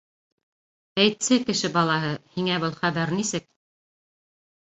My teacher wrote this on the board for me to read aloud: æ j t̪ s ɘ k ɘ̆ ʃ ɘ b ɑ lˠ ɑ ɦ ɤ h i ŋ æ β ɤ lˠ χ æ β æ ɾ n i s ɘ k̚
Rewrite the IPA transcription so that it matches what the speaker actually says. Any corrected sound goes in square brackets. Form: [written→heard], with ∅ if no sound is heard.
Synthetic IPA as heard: æ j t̪ s ɘ k ɘ̆ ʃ ɘ b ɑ lˠ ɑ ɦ ɤ h i ŋ æ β ɤ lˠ χ æ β æ ɾ n i s ɘ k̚

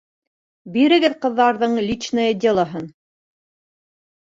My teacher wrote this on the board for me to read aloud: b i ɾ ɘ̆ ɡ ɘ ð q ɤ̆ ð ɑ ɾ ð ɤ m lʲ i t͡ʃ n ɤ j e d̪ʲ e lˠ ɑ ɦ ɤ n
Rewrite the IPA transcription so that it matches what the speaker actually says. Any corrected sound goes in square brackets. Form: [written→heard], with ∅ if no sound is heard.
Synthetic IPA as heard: b i ɾ ɘ̆ ɡ ɘ ð q ɤ̆ [ð→ðː] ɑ ɾ ð ɤ [m→ɴ] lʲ i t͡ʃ n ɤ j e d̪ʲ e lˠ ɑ ɦ ɤ n

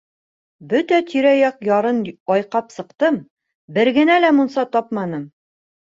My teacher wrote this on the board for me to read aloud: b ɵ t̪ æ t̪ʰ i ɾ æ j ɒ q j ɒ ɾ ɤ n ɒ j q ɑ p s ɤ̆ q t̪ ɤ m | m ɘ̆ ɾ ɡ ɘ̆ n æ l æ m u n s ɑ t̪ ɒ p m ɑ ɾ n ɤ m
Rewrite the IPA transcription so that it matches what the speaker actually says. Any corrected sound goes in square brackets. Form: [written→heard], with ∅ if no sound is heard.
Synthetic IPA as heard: b ɵ t̪ æ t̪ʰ i ɾ æ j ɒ q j ɒ ɾ ɤ n ɒ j q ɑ p s ɤ̆ q t̪ ɤ m | [m→b] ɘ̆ ɾ ɡ ɘ̆ n æ l æ m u n s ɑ t̪ ɒ p m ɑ [ɾ→∅] n ɤ m

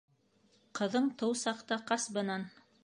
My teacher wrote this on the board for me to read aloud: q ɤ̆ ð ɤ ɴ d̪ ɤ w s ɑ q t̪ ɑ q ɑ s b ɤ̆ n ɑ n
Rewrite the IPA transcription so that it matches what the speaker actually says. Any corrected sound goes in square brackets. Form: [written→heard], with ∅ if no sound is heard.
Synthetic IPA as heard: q ɤ̆ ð ɤ ɴ [d̪→t̪] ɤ w s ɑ q t̪ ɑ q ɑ s b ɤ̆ n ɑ n

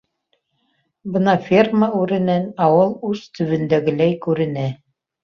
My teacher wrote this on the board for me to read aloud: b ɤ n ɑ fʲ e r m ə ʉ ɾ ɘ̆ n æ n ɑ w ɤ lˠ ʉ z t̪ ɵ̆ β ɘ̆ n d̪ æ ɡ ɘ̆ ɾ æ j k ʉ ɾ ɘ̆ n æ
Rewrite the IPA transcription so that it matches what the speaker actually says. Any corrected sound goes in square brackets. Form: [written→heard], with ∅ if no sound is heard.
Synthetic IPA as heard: b ɤ n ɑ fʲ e r m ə ʉ ɾ ɘ̆ n æ n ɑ w ɤ lˠ ʉ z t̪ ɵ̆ β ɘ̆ n d̪ æ ɡ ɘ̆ [ɾ→l] æ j k ʉ ɾ ɘ̆ n æ

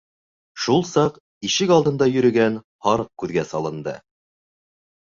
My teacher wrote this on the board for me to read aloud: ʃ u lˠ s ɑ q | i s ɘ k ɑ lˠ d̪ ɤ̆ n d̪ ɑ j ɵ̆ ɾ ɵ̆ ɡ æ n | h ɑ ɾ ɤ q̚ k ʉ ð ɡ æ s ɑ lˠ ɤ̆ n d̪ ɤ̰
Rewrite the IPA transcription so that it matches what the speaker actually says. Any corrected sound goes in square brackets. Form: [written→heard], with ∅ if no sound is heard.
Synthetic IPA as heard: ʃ u lˠ s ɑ q | i [s→ʃ] ɘ k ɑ lˠ d̪ ɤ̆ n d̪ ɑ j ɵ̆ ɾ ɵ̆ ɡ æ n | h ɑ ɾ ɤ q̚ k ʉ ð ɡ æ s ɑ lˠ ɤ̆ n d̪ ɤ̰

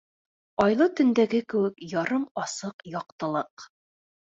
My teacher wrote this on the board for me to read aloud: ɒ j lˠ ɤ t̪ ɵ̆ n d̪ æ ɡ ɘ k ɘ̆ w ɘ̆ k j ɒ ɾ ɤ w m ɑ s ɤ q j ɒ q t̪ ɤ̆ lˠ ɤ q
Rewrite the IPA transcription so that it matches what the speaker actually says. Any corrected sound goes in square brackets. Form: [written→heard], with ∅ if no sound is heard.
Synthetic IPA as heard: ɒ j lˠ ɤ t̪ ɵ̆ n d̪ æ ɡ ɘ k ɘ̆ w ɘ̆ k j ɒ ɾ ɤ [w→∅] m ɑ s ɤ q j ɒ q t̪ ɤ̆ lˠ ɤ q

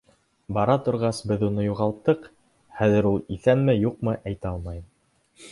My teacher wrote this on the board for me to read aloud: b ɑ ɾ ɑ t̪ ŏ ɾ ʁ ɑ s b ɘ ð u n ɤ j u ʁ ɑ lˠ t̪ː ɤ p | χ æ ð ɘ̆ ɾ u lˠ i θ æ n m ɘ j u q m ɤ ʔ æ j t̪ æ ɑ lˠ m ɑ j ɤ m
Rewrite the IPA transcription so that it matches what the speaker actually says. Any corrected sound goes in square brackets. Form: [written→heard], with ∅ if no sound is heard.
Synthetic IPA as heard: b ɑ ɾ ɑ t̪ ŏ ɾ ʁ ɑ s b ɘ ð u n ɤ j u ʁ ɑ lˠ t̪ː ɤ [p→q] | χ æ ð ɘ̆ ɾ u lˠ i θ æ n m ɘ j u q m ɤ ʔ æ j t̪ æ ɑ lˠ m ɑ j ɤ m

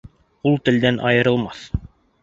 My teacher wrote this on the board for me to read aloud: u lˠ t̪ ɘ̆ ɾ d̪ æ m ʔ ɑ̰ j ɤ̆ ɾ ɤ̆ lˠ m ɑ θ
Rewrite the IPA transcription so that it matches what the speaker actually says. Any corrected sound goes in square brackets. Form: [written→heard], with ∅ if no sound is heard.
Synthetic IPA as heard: u lˠ t̪ ɘ̆ [ɾ→l] d̪ æ [m→n] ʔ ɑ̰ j ɤ̆ ɾ ɤ̆ lˠ m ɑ θ

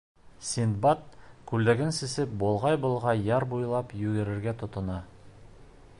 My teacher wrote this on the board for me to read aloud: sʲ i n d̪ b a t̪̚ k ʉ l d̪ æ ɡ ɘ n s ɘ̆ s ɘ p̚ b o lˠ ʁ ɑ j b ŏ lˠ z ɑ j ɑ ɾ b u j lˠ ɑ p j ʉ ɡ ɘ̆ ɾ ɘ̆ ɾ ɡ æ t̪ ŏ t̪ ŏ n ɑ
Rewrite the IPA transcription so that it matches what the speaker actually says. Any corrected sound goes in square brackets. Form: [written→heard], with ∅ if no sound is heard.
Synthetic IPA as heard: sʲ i n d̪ b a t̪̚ k ʉ l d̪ æ ɡ ɘ n s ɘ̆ s ɘ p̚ b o lˠ ʁ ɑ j b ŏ lˠ [z→ʁ] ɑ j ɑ ɾ b u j lˠ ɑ p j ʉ ɡ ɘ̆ ɾ ɘ̆ ɾ ɡ æ t̪ ŏ t̪ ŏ n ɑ

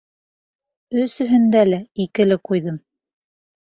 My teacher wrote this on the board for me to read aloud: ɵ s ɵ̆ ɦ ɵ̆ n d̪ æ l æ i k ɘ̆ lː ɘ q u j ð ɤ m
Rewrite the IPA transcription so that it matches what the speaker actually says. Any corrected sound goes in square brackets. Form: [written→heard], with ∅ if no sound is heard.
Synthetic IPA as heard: ɵ s ɵ̆ ɦ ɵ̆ n d̪ æ l æ i k ɘ̆ [lː→l] ɘ q u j ð ɤ m

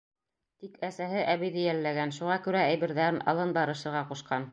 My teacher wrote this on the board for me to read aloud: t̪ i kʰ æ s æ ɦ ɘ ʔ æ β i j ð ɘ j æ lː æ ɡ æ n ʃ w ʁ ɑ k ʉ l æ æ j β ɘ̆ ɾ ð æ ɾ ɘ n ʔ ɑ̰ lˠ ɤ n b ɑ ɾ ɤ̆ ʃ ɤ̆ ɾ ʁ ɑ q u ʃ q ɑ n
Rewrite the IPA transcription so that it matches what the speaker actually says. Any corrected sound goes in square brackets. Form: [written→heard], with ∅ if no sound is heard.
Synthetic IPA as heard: t̪ i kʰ æ s æ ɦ ɘ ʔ æ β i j ð ɘ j æ lː æ ɡ æ n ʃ [w→u] ʁ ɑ k ʉ [l→ɾ] æ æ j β ɘ̆ ɾ ð æ ɾ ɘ n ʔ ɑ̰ lˠ ɤ n b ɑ ɾ ɤ̆ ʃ ɤ̆ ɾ ʁ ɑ q u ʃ q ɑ n

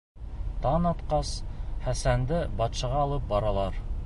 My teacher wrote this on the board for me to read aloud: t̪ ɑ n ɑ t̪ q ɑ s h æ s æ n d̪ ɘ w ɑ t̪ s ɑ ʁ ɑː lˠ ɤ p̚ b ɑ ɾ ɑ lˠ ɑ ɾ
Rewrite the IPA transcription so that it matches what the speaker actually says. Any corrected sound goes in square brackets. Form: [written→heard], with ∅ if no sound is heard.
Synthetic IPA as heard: t̪ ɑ n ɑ t̪ q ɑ s [h→χ] æ s æ n d̪ ɘ [w→b] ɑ t̪ [s→ʃ] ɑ ʁ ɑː lˠ ɤ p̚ b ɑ ɾ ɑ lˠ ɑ ɾ

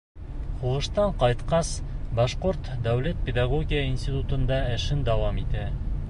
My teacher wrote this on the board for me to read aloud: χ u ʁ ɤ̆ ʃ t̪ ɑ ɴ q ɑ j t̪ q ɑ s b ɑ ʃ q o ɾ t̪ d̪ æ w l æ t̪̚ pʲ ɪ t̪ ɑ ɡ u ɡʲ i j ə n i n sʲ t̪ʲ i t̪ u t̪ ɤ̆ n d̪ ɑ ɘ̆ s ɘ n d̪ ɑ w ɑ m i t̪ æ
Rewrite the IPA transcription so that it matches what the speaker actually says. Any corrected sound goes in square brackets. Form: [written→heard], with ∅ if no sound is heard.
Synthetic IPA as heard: χ u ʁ ɤ̆ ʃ t̪ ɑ ɴ q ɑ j t̪ q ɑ s b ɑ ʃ q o ɾ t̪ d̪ æ w l æ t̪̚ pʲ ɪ [t̪→d̪] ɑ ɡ [u→o] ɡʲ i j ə [n→∅] i n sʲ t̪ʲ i t̪ u t̪ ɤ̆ n d̪ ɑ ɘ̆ [s→ʃ] ɘ n d̪ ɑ w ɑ m i t̪ æ

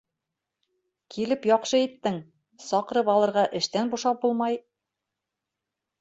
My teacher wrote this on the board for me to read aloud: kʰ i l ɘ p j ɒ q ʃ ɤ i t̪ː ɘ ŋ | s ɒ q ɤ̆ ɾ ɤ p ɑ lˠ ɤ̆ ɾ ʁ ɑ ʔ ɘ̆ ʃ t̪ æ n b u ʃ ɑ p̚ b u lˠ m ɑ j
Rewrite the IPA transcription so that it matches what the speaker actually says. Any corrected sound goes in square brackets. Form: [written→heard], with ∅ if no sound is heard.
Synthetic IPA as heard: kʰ i l ɘ p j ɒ q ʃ ɤ i t̪ː ɘ ŋ | s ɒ q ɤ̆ ɾ ɤ p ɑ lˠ ɤ̆ ɾ ʁ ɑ ʔ ɘ̆ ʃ t̪ æ n b u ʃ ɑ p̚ b u lˠ m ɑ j

